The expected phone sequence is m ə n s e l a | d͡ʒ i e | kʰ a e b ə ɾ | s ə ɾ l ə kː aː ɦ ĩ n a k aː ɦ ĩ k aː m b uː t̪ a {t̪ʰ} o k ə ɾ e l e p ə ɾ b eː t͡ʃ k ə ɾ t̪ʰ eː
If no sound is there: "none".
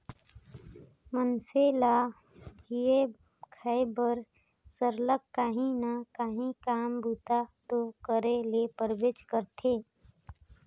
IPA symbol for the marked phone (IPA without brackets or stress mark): t̪